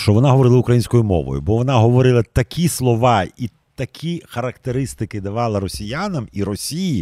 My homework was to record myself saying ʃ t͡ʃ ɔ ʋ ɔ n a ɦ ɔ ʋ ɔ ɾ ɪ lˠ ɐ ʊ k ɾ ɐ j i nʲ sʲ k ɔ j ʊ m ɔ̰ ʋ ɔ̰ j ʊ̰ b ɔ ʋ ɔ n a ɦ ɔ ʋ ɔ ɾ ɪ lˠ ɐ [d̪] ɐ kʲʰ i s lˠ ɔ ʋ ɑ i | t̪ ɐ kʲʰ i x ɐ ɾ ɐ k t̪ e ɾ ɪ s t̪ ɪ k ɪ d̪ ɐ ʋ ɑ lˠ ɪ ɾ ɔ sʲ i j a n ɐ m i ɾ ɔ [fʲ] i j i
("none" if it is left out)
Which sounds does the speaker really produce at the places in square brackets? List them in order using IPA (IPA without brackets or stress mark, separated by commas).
t̪, sʲ